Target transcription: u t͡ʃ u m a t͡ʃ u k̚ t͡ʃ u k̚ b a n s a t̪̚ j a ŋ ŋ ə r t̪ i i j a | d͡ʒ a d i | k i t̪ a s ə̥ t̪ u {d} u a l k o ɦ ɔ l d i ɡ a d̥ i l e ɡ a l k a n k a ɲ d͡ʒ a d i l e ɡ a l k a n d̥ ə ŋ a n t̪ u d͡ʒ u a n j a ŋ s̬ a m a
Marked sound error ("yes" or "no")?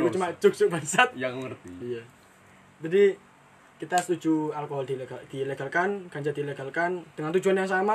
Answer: yes